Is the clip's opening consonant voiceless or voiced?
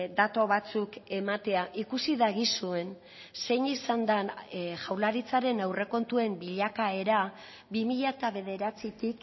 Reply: voiced